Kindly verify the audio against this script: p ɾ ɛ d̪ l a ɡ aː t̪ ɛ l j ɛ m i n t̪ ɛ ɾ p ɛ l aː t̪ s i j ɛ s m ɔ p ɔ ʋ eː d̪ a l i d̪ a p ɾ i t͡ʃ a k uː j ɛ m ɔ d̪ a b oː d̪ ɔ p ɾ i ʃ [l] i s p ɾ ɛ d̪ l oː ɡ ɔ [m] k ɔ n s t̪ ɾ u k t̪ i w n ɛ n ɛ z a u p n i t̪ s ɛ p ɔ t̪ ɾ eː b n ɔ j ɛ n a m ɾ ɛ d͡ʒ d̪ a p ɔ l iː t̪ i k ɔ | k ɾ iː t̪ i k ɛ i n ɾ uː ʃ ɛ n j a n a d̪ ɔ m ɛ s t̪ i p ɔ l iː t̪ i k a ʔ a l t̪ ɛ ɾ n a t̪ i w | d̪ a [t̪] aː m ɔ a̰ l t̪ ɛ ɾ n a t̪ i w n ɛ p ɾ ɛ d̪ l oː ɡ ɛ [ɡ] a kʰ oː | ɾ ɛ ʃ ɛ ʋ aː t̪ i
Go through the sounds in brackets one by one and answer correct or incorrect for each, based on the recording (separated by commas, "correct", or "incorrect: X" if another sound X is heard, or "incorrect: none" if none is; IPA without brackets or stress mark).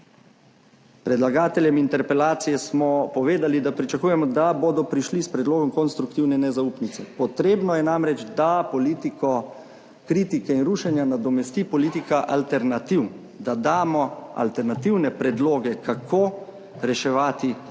correct, correct, incorrect: d̪, incorrect: k